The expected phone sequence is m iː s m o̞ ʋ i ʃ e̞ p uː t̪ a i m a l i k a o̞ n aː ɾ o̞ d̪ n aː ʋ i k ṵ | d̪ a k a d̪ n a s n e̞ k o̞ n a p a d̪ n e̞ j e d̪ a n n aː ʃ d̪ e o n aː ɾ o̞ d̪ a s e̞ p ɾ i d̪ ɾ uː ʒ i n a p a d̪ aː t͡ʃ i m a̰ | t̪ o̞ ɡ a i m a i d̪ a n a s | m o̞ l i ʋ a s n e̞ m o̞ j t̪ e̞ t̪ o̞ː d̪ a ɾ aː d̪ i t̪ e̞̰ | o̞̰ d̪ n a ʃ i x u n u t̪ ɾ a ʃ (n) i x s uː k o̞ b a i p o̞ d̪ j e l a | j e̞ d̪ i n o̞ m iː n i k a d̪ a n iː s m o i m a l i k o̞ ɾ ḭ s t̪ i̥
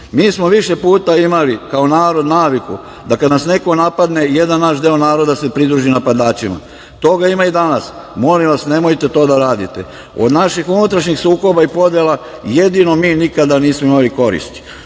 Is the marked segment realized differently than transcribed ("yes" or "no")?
yes